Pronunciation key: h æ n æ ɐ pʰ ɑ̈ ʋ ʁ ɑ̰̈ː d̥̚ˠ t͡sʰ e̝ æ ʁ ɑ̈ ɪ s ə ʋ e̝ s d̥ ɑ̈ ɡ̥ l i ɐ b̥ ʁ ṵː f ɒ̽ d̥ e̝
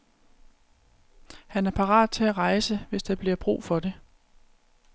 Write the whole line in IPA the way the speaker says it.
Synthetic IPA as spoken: h æ n æ ɐ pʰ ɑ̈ ʁ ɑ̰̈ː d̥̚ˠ t͡sʰ e̝ æ ʁ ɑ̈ ɪ s ə ʋ e̝ s d̥ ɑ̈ b̥ l i ɐ b̥ ʁ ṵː f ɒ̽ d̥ e̝